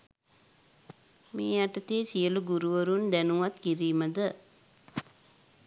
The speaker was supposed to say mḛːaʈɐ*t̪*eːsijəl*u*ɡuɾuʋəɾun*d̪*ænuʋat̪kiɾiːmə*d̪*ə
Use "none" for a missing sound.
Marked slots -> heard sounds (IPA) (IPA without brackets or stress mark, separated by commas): t̪, u, d̪, d̪